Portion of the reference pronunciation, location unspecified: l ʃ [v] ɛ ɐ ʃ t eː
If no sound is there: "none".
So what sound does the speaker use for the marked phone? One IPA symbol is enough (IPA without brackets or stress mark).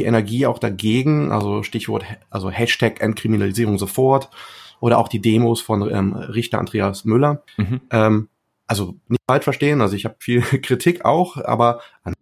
f